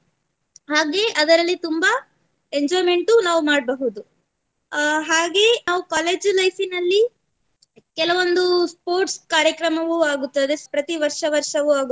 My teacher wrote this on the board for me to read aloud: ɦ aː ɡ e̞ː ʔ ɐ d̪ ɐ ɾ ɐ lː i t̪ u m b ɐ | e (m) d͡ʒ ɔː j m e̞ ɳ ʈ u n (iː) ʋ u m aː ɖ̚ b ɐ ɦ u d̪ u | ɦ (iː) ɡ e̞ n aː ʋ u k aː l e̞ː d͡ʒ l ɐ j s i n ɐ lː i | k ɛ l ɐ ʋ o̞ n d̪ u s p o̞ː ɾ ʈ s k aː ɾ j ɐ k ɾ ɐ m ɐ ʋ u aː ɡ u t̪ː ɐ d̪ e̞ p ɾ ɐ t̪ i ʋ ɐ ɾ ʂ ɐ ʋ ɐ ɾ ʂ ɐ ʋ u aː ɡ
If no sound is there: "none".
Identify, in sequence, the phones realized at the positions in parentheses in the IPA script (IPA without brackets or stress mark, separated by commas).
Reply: ɲ, aː, aː